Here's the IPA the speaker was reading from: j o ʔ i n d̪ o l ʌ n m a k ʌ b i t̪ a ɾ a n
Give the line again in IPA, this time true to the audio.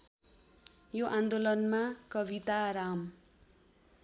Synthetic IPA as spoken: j o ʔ a n d̪ o l ʌ n m a k ʌ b i t̪ a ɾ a m